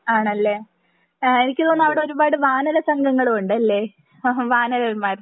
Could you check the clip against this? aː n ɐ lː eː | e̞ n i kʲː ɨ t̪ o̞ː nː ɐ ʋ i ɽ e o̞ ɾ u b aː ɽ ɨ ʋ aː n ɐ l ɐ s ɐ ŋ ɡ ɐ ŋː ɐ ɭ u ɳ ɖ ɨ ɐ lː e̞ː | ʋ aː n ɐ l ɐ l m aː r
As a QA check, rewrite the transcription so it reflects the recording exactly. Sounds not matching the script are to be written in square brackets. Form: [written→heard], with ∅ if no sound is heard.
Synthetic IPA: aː [n→ɳ] ɐ lː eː | e̞ n i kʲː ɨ t̪ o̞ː nː ɐ ʋ i ɽ e o̞ ɾ u b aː ɽ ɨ ʋ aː n ɐ l ɐ s ɐ ŋ ɡ ɐ ŋː ɐ ɭ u ɳ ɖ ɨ ɐ lː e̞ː | ʋ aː n ɐ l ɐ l m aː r